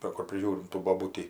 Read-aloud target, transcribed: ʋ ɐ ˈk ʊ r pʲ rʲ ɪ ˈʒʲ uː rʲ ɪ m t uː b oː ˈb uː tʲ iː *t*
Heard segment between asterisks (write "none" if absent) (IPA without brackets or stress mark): none